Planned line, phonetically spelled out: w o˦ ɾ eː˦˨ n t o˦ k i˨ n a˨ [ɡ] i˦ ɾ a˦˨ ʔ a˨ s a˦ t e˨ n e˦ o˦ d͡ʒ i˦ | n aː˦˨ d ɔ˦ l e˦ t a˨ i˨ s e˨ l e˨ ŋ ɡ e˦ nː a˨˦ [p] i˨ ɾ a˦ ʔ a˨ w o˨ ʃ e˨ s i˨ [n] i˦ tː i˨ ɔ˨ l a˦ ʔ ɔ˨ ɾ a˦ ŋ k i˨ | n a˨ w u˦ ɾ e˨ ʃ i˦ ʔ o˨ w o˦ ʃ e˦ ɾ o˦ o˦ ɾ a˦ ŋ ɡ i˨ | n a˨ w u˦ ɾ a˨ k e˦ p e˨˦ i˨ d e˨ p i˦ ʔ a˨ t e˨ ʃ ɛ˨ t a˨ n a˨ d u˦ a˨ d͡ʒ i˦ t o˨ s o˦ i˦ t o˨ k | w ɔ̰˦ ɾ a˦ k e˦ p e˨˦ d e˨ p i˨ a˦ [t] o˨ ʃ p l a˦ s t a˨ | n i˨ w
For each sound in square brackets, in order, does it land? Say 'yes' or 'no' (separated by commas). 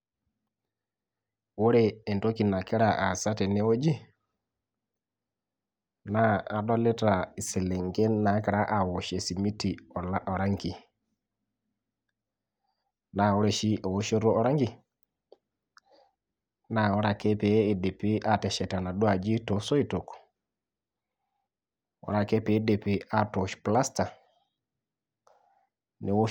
no, no, no, yes